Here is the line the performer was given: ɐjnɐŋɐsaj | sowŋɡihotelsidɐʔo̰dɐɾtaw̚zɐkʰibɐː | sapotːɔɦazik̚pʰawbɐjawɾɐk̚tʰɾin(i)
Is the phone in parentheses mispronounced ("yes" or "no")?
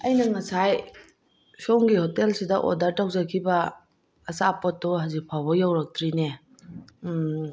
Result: yes